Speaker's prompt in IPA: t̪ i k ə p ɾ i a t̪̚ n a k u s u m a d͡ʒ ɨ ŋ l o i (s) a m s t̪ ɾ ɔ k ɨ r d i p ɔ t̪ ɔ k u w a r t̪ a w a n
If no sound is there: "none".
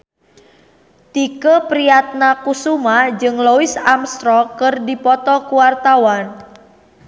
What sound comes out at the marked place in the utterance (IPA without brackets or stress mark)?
s